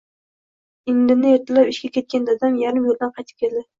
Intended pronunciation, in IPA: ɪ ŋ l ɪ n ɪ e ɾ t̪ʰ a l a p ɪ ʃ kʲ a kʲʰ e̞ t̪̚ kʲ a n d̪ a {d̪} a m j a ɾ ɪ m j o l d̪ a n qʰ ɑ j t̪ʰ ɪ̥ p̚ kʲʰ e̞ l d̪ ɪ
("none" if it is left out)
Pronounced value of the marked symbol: d̪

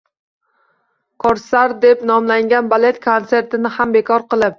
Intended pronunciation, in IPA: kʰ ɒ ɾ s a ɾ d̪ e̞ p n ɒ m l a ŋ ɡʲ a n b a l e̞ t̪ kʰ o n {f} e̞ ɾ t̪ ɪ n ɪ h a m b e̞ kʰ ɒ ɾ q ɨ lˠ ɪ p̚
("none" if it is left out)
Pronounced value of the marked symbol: s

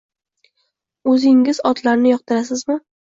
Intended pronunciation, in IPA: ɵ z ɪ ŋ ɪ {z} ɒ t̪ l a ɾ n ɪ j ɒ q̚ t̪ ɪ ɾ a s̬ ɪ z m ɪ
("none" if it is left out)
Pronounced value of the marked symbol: z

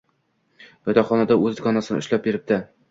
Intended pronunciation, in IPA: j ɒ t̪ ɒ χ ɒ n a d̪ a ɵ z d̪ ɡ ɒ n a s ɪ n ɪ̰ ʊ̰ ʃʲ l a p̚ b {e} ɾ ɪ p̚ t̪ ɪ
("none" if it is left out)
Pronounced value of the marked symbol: e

